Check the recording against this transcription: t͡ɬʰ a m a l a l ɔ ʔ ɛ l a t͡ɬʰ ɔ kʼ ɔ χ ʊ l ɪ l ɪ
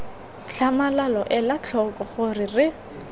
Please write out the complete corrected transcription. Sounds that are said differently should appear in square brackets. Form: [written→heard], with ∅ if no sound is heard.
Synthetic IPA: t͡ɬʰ a m a l a l ɔ ʔ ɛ l a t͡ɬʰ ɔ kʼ ɔ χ ʊ [l→r] ɪ [l→r] ɪ